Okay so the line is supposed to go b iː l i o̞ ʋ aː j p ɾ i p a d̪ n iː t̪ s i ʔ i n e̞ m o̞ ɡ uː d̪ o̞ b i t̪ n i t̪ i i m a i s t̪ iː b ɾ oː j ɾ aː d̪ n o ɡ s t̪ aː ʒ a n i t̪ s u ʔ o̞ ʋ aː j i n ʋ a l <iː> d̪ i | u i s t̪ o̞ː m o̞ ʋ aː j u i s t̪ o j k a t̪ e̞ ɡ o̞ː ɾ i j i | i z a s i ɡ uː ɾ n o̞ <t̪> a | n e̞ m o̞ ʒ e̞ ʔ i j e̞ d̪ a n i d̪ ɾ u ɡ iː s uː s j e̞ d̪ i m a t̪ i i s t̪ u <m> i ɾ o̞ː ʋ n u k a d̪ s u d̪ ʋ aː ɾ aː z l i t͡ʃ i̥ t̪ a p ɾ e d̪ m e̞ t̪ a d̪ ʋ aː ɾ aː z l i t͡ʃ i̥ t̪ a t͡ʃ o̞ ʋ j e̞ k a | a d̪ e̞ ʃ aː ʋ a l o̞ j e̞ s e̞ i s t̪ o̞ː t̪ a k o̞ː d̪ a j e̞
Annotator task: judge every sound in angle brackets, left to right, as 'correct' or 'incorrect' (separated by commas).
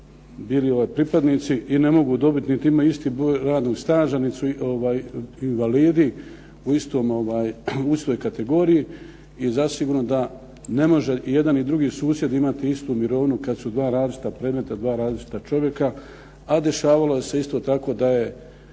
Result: correct, incorrect, correct